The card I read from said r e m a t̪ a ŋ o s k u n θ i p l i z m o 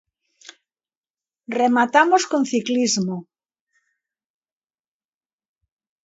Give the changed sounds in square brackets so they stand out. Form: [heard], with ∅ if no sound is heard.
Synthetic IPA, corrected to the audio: r e m a t̪ a [m] o s k [o] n θ i [k] l i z m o